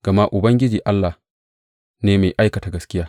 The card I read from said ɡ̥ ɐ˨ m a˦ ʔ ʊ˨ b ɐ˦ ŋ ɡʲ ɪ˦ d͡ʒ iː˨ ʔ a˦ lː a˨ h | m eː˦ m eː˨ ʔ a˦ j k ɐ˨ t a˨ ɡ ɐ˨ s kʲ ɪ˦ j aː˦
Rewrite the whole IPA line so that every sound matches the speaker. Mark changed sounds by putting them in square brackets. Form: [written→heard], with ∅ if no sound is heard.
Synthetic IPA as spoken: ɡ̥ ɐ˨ m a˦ ʔ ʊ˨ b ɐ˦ ŋ ɡʲ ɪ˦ d͡ʒ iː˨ ʔ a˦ lː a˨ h | [m→n] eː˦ m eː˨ ʔ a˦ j k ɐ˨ t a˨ ɡ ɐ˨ s kʲ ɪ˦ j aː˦